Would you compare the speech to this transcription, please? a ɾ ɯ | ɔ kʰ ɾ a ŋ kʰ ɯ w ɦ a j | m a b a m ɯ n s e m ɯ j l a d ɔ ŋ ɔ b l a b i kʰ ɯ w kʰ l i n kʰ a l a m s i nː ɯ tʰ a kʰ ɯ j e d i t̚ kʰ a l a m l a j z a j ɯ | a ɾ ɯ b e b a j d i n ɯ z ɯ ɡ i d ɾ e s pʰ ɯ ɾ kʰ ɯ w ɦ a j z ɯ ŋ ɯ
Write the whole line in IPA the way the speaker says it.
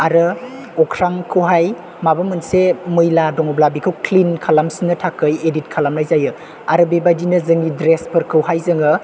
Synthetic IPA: a ɾ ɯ | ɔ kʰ ɾ a ŋ kʰ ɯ w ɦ a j | m a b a m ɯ n s e m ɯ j l a d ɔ ŋ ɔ b l a b i kʰ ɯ w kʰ l i n kʰ a l a m s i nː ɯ tʰ a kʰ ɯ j e d i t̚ kʰ a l a m l a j z a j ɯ | a ɾ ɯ b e b a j d i n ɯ z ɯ ŋ i d ɾ e s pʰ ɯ ɾ kʰ ɯ w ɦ a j z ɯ ŋ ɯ